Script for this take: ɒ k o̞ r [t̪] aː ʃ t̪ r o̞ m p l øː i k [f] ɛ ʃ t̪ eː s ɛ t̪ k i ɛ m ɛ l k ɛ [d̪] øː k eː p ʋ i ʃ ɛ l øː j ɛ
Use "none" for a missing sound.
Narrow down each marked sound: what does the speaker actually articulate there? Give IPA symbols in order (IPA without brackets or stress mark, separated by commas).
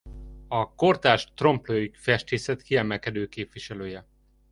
t̪, f, d̪